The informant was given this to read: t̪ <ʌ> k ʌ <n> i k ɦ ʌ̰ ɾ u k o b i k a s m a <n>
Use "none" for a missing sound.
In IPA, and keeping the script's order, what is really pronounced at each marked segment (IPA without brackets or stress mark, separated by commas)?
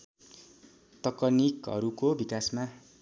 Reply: ʌ, n, none